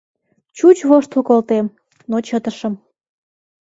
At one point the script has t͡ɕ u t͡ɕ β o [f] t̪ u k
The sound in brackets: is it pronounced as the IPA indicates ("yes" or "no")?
no